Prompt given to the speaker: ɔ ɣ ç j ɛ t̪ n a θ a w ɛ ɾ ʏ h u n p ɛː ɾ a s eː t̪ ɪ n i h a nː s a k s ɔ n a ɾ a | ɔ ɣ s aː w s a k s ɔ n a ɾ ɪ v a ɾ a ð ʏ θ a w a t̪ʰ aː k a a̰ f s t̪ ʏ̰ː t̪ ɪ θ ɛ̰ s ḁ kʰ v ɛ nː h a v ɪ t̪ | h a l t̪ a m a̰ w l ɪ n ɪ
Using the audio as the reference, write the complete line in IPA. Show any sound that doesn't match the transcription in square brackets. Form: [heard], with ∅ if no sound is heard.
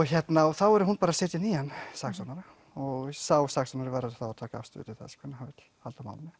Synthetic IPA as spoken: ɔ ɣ ç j ɛ t̪ n a θ a w ɛ ɾ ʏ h u n p [aː] ɾ a s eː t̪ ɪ n i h a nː s a k s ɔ n a ɾ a | ɔ ɣ s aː w s a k s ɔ n a ɾ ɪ v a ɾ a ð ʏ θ a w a t̪ʰ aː k a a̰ f s t̪ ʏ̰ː t̪ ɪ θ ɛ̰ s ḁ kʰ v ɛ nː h a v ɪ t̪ | h a l t̪ a m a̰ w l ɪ n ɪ